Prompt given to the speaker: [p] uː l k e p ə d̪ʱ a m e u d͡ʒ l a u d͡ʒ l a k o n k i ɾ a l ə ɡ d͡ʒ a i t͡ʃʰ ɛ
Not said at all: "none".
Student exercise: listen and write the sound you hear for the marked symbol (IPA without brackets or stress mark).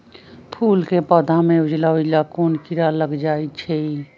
pʰ